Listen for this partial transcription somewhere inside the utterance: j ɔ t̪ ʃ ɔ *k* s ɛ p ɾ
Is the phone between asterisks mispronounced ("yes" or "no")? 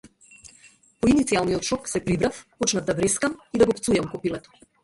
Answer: no